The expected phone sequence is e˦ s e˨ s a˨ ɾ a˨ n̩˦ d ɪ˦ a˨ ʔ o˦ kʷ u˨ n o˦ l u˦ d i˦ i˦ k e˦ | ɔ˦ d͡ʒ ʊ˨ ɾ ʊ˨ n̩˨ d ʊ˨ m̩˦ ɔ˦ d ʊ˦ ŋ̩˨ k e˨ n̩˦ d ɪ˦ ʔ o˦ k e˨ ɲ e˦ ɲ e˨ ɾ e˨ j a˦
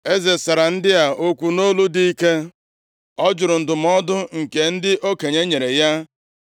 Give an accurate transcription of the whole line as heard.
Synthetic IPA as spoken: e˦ z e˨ s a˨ ɾ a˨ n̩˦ d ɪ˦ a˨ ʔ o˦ kʷ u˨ n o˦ l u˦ d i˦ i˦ k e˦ | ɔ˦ d͡ʒ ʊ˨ ɾ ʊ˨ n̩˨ d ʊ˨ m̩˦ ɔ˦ d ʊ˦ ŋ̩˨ k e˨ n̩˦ d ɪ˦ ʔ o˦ k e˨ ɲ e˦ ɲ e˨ ɾ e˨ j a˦